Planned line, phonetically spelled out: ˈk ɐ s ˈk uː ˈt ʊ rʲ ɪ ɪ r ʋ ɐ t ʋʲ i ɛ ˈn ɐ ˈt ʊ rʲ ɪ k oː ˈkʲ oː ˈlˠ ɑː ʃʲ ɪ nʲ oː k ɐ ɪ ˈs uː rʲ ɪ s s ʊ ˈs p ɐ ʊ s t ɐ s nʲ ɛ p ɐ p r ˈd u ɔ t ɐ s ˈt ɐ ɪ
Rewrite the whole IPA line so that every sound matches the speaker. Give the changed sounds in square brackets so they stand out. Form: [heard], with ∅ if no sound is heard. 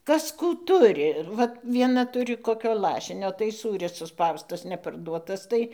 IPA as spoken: ˈk ɐ s ˈk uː ˈt ʊ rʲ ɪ ɪ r ʋ ɐ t ʋʲ i ɛ ˈn ɐ ˈt ʊ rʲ ɪ k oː ˈkʲ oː ˈlˠ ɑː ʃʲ ɪ nʲ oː [t] ɐ ɪ ˈs uː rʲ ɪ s s ʊ ˈs p ɐ ʊ s t ɐ s nʲ ɛ p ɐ [∅] r ˈd u ɔ t ɐ s ˈt ɐ ɪ

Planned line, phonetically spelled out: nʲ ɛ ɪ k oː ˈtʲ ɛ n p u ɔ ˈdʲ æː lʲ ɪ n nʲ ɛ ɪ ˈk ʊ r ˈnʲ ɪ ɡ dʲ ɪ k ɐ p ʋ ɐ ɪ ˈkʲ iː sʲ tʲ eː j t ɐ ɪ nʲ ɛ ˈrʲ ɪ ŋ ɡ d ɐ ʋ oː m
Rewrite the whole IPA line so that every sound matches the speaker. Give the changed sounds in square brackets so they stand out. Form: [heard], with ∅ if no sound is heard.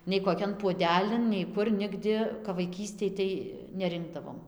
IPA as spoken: nʲ ɛ ɪ k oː [ˈkʲ] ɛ n p u ɔ ˈdʲ æː lʲ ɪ n nʲ ɛ ɪ ˈk ʊ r ˈnʲ ɪ ɡ dʲ ɪ k ɐ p ʋ ɐ ɪ ˈkʲ iː sʲ tʲ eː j t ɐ ɪ nʲ ɛ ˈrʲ ɪ ŋ ɡ d ɐ ʋ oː m

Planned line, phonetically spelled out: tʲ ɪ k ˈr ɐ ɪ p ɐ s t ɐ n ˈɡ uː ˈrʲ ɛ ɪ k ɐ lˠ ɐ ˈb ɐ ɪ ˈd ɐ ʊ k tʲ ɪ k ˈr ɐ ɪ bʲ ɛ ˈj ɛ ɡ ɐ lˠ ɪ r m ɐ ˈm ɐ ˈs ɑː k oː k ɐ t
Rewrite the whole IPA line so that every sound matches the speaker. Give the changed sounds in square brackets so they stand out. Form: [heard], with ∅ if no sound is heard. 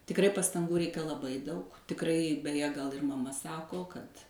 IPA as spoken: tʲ ɪ k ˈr ɐ ɪ p ɐ s t ɐ [ŋ] ˈɡ uː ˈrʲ ɛ ɪ k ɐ lˠ ɐ ˈb ɐ ɪ ˈd ɐ ʊ k tʲ ɪ k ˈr ɐ ɪ bʲ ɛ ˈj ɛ ɡ ɐ lˠ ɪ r m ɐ ˈm ɐ ˈs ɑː k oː k ɐ t

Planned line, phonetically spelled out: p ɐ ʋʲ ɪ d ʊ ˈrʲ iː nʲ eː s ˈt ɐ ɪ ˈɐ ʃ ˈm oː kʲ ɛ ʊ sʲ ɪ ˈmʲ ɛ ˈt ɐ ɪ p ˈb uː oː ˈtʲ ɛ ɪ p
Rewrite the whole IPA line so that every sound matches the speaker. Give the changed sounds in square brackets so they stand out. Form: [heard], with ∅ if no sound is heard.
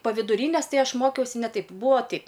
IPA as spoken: p ɐ ʋʲ ɪ d ʊ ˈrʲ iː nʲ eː s ˈt ɐ ɪ ˈɐ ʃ ˈm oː kʲ ɛ ʊ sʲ ɪ [ˈnʲ] ɛ ˈt ɐ ɪ p ˈb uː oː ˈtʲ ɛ ɪ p

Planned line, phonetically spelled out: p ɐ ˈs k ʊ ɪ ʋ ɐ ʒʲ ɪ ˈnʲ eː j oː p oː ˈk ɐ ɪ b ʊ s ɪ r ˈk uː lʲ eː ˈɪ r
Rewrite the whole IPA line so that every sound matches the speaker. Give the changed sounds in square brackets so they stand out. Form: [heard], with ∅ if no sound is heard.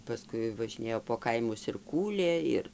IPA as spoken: p ɐ ˈs k ʊ ɪ ʋ ɐ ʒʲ ɪ ˈnʲ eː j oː p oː ˈk ɐ ɪ [m] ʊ s ɪ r ˈk uː lʲ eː ˈɪ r

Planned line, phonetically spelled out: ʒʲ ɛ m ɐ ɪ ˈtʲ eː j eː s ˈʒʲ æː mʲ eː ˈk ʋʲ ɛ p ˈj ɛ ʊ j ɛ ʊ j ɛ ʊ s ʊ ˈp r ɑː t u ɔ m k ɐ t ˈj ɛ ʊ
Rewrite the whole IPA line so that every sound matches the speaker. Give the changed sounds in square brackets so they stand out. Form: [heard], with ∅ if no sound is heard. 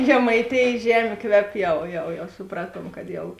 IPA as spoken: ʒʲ ɛ m ɐ ɪ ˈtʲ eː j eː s ˈʒʲ æː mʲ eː ˈk ʋʲ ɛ p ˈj ɛ ʊ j ɛ ʊ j ɛ ʊ s ʊ ˈp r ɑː t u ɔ m k ɐ t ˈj ɛ ʊ

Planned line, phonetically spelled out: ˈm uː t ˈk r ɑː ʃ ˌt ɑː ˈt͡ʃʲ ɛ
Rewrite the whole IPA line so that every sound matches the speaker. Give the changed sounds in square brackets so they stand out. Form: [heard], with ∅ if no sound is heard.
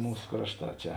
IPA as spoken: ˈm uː [s] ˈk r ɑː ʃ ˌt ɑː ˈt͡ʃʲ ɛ

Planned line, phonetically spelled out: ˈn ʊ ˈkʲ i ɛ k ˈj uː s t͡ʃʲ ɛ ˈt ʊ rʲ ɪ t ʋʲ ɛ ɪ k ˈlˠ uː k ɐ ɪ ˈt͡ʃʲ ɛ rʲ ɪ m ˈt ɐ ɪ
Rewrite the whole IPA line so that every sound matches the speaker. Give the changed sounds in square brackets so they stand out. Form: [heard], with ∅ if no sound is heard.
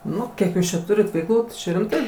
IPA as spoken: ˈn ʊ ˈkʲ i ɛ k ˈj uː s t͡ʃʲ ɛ ˈt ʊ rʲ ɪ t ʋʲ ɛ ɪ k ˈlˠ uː [t] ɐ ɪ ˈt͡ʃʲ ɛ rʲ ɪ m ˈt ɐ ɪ

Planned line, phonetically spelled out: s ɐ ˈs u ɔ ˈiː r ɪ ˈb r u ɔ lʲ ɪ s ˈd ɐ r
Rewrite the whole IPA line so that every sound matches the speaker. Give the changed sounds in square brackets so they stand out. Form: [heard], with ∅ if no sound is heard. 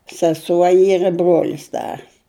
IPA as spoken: s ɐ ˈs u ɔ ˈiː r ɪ ˈb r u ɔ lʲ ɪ s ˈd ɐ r

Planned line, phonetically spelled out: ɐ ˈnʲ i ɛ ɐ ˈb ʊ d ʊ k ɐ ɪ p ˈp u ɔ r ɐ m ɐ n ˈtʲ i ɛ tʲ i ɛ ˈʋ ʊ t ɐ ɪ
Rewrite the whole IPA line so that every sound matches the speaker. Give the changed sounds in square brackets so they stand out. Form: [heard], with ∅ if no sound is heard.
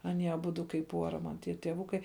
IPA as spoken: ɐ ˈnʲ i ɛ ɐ ˈb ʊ d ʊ k ɐ ɪ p ˈp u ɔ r ɐ m ɐ n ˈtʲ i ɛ tʲ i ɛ ˈʋ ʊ [k] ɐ ɪ

